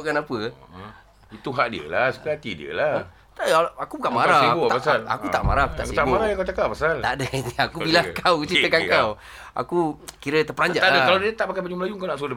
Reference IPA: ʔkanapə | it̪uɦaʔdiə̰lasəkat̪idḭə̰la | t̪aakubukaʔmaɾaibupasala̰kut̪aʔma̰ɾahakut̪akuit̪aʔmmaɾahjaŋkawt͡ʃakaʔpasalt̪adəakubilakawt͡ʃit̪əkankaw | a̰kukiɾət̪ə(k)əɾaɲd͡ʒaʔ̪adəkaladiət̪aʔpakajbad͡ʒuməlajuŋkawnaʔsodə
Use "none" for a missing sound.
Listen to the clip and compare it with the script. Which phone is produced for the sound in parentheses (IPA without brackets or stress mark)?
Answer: p